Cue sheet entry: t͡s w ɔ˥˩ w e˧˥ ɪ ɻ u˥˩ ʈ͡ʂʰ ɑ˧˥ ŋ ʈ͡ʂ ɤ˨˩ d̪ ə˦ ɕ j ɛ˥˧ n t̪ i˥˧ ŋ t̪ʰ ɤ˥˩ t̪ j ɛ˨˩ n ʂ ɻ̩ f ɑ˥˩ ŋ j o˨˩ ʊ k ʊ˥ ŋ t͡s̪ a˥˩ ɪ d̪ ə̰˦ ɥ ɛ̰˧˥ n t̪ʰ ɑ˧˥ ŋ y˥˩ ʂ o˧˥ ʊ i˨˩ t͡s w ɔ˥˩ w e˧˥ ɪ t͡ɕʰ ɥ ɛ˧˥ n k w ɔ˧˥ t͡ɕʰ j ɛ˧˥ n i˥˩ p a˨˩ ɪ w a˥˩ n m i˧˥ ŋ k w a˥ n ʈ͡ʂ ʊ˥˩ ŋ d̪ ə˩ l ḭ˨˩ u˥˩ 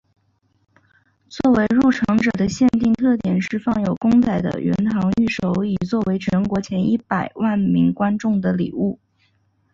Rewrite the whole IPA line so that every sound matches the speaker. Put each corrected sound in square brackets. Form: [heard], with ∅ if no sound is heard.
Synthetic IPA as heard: t͡s w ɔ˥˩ w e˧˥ ɪ ɻ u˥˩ ʈ͡ʂʰ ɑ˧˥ ŋ ʈ͡ʂ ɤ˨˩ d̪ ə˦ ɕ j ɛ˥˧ n t̪ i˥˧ ŋ t̪ʰ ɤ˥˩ t̪ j ɛ˨˩ n ʂ ɻ̩ f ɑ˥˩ ŋ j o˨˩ ʊ k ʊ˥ ŋ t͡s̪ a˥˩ ɪ d̪ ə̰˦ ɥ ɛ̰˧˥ n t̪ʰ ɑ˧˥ ŋ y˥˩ ʂ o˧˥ ʊ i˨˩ t͡s w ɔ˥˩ w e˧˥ ɪ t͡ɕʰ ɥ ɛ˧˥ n k w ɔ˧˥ t͡ɕʰ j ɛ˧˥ n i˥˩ p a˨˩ ɪ w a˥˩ n m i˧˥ ŋ k w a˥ n ʈ͡ʂ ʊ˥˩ ŋ d̪ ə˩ l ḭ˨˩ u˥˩